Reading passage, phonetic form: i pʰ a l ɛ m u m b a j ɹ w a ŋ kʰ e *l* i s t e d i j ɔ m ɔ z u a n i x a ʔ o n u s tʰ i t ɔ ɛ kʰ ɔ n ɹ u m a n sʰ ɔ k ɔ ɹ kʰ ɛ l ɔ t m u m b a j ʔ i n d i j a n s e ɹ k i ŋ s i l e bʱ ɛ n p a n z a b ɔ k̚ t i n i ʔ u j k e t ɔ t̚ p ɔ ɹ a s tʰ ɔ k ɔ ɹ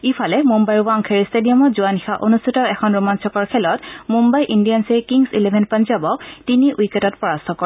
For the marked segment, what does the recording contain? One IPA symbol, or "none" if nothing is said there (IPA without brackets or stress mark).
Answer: ɹ